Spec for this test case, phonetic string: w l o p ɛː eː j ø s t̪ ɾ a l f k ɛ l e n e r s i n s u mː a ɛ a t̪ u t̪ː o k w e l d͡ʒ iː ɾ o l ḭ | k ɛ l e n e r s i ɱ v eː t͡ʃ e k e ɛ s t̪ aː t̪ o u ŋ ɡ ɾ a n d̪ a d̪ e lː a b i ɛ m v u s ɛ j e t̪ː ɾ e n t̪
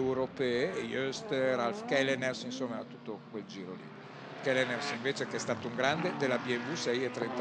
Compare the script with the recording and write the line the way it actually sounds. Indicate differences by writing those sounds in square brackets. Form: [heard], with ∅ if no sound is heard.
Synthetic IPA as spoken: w [ɾ] o p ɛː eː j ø s t̪ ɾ a l f k ɛ l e n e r s i n s [o] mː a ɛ a t̪ u t̪ː o k w e l d͡ʒ iː ɾ o l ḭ | k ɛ l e n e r s i ɱ v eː t͡ʃ e k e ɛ s t̪ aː t̪ o u ŋ ɡ ɾ a n d̪ [e] d̪ e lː a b i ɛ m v u s ɛ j e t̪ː ɾ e n t̪